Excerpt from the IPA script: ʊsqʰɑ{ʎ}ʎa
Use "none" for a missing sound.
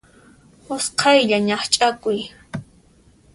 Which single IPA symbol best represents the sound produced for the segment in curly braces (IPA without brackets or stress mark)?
j